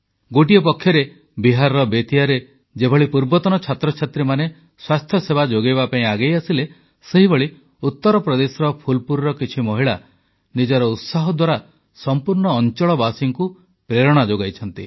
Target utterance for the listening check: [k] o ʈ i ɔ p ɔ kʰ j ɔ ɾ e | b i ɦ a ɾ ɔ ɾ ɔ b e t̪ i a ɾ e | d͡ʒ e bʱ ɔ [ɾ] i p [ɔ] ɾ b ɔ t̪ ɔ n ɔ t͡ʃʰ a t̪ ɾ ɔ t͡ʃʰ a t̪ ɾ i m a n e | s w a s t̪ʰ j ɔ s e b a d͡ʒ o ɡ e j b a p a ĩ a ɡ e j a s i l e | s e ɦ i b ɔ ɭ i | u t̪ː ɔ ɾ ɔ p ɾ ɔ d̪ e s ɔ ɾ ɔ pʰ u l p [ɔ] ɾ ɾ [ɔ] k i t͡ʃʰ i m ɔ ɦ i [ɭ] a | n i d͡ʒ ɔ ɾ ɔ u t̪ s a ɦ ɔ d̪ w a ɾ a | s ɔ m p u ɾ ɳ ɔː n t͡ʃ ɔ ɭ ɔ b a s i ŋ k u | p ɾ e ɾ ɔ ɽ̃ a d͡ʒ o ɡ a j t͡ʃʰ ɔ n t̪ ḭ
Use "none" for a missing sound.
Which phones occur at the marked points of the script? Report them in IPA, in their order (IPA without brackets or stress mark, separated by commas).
ɡ, ɭ, u, u, ɔ, ɭ